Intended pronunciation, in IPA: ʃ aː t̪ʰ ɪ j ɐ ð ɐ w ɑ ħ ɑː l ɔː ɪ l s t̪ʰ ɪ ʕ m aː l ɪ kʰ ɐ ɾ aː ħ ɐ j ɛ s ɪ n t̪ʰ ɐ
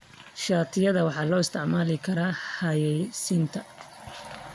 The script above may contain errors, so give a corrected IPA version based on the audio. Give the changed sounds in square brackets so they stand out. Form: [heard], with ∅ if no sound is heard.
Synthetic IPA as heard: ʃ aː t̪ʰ ɪ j ɐ ð ɐ w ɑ ħ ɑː l ɔː ɪ [∅] s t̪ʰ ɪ ʕ m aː l ɪ kʰ ɐ ɾ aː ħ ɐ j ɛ s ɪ n t̪ʰ ɐ